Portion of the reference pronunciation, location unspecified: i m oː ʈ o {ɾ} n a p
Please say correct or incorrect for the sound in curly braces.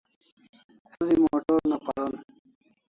correct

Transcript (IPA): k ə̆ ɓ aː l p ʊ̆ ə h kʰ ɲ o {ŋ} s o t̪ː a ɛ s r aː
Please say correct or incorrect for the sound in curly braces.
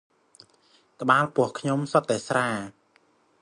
incorrect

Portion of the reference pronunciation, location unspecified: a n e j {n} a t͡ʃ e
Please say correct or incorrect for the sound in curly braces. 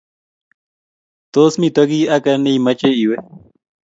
incorrect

